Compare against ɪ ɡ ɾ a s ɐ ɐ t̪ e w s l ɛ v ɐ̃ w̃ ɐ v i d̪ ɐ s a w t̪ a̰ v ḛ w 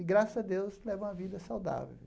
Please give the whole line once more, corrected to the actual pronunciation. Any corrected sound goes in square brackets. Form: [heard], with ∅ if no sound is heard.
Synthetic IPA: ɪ ɡ ɾ a s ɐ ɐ [d̪] e w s l ɛ v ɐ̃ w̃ ɐ v i d̪ ɐ s a w [d̪] a̰ v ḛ w